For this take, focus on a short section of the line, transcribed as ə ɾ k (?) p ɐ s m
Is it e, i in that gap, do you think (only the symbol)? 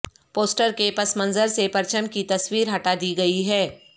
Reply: e